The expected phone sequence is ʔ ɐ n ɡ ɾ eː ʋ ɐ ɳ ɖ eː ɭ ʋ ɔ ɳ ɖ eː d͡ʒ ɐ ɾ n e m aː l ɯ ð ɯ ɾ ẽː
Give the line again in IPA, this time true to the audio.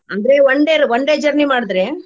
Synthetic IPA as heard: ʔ ɐ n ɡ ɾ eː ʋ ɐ ɳ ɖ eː ɾ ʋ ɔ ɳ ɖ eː d͡ʒ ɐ ɾ n i m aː ɽ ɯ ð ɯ ɾ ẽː